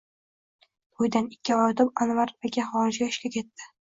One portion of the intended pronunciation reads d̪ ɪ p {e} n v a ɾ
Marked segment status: incorrect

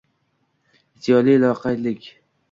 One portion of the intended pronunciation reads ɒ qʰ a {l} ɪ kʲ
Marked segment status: correct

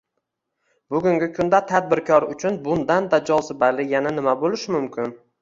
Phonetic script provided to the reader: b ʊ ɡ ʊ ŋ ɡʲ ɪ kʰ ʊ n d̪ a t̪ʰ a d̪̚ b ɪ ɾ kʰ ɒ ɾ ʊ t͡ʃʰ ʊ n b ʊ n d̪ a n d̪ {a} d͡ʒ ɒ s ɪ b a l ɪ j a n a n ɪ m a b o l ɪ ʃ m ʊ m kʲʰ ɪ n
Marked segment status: correct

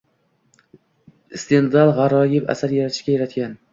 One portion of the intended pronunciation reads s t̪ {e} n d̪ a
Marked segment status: correct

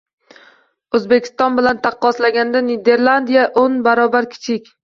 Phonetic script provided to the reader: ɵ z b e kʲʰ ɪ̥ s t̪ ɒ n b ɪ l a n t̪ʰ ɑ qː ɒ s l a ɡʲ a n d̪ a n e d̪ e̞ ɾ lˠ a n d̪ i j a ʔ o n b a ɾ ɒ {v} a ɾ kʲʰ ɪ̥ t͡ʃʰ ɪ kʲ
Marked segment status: incorrect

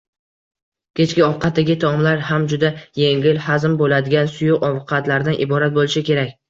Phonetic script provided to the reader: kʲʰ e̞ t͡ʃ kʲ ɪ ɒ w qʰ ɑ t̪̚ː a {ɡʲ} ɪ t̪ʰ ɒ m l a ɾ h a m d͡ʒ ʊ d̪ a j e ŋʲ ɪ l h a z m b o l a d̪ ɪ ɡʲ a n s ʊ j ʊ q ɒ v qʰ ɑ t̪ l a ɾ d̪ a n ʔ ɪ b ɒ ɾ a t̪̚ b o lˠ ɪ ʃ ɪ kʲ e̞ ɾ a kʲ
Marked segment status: correct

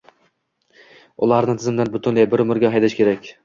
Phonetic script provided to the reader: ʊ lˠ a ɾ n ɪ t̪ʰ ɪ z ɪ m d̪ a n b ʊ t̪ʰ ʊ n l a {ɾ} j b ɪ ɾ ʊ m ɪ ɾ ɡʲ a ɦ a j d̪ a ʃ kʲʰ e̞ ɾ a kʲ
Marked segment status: incorrect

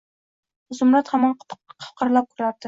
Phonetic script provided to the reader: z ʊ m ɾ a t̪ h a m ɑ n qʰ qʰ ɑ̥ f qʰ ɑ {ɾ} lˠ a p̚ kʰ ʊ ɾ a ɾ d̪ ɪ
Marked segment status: correct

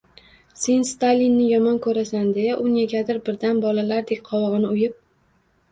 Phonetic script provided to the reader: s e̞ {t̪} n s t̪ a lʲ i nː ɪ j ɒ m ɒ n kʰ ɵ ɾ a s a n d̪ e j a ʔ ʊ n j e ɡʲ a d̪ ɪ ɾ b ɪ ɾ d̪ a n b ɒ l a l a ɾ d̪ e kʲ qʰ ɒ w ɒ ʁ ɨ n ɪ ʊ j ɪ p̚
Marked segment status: incorrect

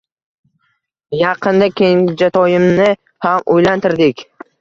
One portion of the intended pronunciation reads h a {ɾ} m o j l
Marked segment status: incorrect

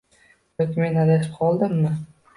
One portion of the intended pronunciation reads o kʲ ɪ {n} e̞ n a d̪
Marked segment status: incorrect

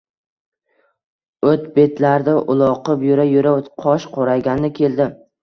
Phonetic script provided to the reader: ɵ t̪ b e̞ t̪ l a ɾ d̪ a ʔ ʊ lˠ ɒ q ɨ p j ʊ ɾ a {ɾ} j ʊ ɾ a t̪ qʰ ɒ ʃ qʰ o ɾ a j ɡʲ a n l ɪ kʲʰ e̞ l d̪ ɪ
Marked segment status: incorrect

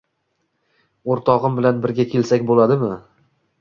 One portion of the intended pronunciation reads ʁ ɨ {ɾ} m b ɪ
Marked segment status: incorrect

